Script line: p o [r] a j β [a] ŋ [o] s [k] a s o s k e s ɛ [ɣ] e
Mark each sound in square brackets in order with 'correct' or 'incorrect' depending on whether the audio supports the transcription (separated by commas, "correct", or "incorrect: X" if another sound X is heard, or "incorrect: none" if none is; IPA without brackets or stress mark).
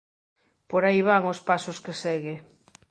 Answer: incorrect: ɾ, correct, correct, incorrect: p, correct